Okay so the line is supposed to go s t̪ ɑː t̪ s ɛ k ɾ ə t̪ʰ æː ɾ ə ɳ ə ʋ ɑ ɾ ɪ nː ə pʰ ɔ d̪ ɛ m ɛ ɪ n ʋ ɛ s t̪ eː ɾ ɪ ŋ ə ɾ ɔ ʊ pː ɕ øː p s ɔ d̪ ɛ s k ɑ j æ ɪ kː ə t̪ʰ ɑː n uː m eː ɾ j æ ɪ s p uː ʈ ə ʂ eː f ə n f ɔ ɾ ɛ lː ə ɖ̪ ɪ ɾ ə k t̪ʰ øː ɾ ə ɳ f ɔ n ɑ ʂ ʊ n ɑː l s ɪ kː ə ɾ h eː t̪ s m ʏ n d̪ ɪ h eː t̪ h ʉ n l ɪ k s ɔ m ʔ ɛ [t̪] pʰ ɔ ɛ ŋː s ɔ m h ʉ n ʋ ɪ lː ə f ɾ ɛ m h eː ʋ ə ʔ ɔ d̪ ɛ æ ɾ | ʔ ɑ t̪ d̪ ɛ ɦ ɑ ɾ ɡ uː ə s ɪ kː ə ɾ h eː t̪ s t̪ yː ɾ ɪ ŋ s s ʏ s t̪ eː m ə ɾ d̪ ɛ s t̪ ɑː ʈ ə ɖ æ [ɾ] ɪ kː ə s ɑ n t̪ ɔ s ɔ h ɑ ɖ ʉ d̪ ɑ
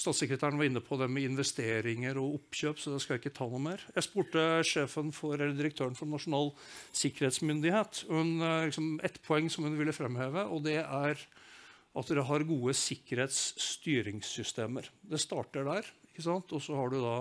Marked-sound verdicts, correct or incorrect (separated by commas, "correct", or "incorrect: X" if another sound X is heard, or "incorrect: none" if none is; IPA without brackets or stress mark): correct, correct